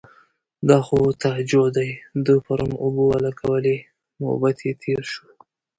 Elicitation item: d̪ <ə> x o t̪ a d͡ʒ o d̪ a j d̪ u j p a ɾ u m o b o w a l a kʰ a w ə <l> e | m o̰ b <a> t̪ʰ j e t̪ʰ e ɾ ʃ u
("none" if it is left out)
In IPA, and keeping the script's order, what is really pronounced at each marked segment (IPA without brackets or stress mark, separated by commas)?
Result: ɑ, l, a